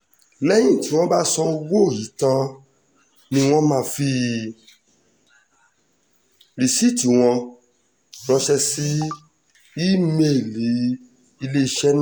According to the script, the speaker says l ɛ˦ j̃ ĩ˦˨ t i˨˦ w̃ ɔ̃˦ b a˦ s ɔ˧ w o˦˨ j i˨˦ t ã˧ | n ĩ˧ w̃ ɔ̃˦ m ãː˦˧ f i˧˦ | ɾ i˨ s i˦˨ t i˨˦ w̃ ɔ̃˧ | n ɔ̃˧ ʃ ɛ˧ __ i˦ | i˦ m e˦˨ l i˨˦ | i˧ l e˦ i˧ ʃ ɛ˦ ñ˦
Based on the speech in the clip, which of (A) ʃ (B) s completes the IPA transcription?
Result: B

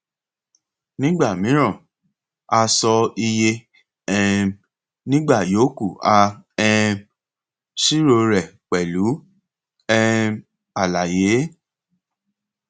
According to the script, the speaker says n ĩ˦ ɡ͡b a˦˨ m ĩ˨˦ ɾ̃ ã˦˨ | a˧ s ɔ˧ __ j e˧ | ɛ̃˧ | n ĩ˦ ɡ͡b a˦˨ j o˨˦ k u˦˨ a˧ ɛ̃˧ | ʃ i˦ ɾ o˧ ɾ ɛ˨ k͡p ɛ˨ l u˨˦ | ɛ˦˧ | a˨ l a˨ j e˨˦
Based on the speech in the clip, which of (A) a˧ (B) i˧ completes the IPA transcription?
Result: B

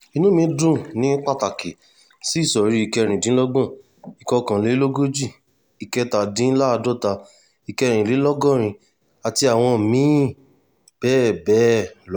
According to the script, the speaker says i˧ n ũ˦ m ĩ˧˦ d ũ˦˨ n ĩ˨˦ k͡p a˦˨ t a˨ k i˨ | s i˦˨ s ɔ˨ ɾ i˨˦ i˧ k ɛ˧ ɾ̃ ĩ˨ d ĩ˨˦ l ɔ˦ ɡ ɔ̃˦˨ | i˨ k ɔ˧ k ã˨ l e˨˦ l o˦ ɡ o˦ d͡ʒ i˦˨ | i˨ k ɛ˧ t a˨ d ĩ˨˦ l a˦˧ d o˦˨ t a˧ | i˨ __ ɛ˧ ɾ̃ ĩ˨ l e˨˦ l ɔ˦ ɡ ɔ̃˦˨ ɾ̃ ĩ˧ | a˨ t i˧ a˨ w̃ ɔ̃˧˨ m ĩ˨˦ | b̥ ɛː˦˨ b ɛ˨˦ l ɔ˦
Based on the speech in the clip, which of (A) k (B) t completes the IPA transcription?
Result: A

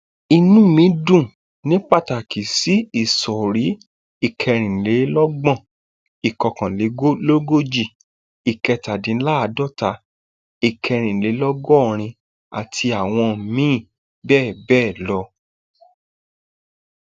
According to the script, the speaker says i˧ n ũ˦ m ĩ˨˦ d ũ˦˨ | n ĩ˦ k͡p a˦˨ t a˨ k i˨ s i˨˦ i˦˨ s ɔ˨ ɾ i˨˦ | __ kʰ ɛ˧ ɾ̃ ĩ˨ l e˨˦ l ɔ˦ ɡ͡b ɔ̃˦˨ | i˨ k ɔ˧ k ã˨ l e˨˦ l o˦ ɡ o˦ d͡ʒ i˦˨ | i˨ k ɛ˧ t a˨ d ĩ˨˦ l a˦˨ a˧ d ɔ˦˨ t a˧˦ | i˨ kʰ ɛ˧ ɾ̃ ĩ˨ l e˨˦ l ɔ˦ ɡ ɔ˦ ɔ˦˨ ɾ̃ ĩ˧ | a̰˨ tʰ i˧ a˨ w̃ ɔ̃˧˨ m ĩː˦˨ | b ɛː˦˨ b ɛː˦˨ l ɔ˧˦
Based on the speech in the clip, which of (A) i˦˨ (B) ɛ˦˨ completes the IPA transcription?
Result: A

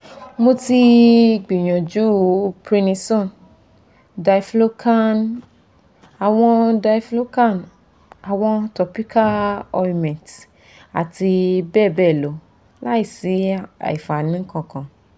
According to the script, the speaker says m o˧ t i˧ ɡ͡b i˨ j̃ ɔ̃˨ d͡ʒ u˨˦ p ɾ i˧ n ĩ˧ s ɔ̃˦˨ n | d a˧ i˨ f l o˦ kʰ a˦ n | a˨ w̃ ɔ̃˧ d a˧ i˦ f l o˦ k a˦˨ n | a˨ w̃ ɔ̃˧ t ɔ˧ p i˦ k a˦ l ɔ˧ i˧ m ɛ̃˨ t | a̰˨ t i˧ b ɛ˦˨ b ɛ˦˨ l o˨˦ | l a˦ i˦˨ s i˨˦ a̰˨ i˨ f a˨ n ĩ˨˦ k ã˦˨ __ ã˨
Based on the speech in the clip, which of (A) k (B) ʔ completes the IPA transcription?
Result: A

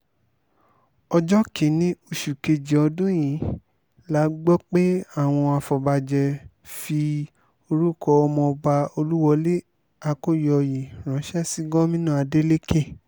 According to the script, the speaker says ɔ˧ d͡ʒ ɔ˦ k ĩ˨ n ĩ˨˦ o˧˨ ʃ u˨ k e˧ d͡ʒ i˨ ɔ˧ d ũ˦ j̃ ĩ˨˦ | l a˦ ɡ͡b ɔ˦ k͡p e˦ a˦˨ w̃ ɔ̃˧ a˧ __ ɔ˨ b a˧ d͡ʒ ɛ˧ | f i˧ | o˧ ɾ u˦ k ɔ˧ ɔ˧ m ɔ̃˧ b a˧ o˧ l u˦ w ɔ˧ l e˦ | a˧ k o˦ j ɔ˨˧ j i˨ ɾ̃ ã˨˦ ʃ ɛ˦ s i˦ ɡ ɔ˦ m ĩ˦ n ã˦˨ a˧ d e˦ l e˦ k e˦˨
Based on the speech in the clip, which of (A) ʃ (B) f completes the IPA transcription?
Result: B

